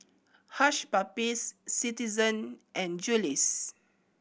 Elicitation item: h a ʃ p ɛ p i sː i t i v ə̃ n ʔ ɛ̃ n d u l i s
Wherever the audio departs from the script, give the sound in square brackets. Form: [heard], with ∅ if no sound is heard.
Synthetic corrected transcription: h a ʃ p [a] p i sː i t i [z] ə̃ n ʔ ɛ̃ n [d͡ʒ] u l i s